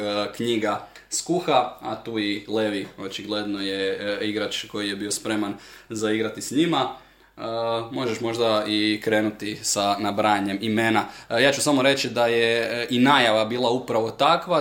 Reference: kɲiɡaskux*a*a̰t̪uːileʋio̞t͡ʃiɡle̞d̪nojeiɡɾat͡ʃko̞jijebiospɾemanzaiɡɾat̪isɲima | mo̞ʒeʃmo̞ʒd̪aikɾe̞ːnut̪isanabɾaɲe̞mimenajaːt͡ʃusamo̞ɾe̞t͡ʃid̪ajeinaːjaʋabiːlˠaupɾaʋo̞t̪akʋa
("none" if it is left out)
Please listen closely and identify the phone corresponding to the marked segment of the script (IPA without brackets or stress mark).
a